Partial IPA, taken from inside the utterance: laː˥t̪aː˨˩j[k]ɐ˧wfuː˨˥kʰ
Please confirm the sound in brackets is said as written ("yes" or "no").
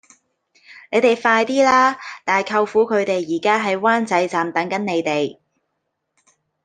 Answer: no